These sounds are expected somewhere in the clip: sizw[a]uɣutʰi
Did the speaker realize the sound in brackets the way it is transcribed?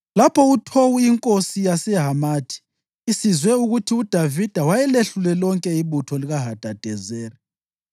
no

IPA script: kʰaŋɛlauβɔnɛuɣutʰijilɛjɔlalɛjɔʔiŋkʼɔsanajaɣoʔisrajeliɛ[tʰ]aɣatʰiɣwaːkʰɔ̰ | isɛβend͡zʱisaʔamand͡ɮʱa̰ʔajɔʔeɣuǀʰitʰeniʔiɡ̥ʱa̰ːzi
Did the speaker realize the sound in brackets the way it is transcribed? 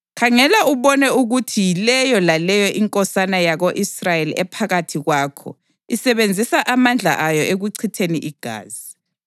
no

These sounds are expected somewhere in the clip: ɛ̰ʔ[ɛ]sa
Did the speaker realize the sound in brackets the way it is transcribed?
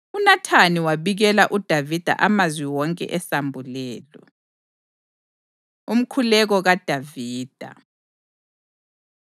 yes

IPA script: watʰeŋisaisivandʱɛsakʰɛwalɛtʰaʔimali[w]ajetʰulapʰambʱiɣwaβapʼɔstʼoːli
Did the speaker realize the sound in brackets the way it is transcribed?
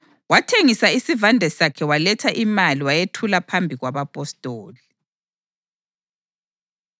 yes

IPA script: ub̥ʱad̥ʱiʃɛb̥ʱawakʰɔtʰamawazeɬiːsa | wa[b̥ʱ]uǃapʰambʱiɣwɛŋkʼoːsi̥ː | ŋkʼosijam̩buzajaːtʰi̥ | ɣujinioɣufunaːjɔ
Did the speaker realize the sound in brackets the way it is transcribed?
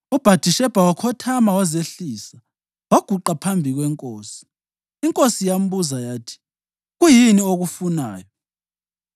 no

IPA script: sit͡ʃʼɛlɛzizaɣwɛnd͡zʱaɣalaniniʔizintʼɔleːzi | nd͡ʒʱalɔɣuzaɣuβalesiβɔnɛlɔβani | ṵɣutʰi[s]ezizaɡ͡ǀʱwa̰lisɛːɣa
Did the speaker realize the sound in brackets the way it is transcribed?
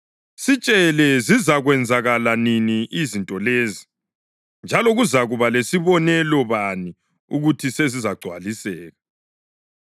yes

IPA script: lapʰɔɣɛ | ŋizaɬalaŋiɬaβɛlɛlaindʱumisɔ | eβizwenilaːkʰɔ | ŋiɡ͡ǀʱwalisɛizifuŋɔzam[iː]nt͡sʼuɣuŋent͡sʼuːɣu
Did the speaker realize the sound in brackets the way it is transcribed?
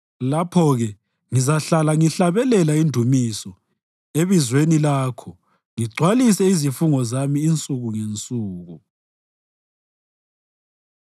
yes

